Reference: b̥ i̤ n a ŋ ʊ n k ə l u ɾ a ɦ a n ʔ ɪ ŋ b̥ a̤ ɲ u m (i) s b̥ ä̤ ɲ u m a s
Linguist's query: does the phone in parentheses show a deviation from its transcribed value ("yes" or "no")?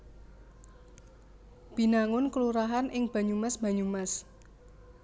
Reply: yes